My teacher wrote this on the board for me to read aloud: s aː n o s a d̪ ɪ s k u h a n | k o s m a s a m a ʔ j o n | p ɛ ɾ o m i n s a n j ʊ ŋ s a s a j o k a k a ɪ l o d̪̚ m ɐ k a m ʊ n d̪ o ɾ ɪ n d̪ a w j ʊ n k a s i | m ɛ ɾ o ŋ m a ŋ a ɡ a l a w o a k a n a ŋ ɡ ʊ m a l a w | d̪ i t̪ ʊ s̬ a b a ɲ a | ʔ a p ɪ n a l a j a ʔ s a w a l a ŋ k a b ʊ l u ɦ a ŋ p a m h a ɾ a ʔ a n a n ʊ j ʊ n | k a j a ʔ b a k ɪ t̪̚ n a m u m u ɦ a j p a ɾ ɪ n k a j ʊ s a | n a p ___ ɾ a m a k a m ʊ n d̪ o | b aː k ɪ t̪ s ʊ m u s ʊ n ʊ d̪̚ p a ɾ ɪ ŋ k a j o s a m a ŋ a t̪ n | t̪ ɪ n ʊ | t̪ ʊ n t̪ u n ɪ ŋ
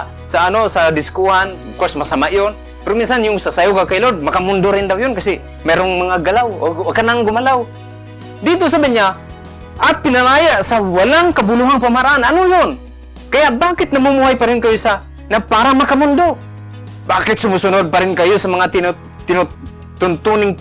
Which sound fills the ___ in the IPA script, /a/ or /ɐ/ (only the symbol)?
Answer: a